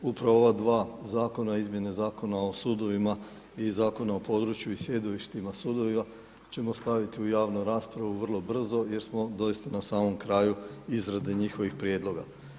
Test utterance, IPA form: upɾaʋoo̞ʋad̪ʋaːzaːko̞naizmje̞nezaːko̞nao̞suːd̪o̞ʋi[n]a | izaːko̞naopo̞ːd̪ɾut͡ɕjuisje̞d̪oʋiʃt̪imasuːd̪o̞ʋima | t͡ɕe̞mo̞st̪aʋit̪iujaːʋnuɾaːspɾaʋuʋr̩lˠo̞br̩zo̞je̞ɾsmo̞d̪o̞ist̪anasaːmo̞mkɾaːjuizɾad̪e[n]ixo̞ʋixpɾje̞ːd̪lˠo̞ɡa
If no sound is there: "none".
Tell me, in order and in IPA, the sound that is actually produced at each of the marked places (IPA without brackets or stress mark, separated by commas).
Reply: m, ɲ